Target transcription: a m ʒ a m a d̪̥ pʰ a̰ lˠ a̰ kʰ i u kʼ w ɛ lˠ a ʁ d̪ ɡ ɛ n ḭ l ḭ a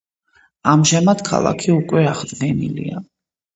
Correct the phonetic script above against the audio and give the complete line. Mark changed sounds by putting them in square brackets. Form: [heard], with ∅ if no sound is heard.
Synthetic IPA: a m ʒ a m a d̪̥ [kʰ] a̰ lˠ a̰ kʰ i u kʼ w ɛ [∅] a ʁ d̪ ɡ ɛ n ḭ l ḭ a